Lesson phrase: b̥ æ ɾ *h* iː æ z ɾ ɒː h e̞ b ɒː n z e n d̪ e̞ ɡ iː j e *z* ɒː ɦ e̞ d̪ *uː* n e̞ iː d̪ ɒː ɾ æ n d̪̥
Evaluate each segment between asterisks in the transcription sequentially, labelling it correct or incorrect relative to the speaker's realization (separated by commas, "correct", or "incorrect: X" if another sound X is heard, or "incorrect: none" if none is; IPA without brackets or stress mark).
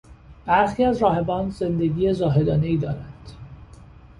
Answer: incorrect: x, correct, incorrect: ɒː